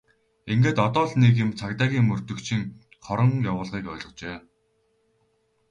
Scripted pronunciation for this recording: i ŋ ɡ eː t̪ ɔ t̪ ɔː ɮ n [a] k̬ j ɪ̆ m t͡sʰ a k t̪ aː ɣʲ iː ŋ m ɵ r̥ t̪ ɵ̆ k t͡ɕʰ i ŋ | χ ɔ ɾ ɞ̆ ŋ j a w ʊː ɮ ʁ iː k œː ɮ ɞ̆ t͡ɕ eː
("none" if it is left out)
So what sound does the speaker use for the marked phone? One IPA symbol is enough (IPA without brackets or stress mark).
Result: e